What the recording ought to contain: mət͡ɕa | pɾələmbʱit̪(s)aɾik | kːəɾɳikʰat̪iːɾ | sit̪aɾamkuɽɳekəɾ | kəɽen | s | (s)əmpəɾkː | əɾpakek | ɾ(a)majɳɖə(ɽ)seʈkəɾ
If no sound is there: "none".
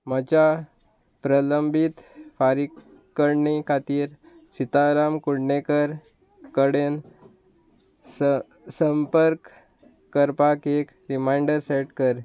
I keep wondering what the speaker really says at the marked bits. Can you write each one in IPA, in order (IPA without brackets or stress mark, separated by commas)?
f, s, i, ɾ